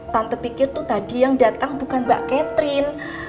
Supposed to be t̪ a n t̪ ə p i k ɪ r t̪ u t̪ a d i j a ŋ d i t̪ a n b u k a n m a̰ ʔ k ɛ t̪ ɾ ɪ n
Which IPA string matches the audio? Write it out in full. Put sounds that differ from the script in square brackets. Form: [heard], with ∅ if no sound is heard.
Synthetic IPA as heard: t̪ a n t̪ ə p i k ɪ r t̪ u t̪ a d i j a ŋ d [a] t̪ a [ŋ] b u k a n [b] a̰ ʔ k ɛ t̪ ɾ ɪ n